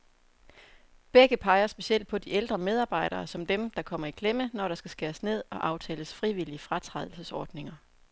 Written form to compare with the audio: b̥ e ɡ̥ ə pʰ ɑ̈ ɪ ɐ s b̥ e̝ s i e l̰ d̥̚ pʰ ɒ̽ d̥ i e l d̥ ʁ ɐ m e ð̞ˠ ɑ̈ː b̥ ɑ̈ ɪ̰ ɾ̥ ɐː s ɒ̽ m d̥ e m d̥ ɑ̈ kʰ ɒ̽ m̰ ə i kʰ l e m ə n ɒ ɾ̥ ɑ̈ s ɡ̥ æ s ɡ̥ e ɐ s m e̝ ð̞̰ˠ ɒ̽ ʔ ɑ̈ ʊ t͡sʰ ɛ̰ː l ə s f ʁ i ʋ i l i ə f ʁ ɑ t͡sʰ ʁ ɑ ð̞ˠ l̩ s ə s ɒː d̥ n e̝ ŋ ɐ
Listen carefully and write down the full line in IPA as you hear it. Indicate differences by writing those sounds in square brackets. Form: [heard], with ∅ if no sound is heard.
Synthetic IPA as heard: b̥ e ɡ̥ ə pʰ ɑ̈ ɪ ɐ s b̥ e̝ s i e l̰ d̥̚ pʰ ɒ̽ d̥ i e l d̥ ʁ ɐ m e ð̞ˠ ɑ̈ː b̥ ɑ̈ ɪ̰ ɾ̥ ɐː s ɒ̽ m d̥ e m d̥ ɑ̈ kʰ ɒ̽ m̰ [ɐ] i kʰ l e m ə n ɒ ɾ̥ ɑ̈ s ɡ̥ æ s ɡ̥ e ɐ s [n] e̝ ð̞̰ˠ ɒ̽ ʔ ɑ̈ ʊ t͡sʰ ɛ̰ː l ə s f ʁ i ʋ i l i ə f ʁ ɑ t͡sʰ ʁ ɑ ð̞ˠ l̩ s ə s ɒː d̥ n e̝ ŋ ɐ